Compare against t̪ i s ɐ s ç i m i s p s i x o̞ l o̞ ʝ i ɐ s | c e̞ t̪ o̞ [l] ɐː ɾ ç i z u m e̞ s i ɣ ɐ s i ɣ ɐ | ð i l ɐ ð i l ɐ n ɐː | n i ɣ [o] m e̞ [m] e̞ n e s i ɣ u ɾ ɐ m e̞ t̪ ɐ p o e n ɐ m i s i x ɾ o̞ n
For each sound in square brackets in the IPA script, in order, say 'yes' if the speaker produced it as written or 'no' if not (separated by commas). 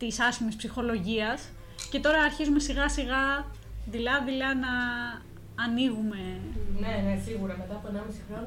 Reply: no, no, no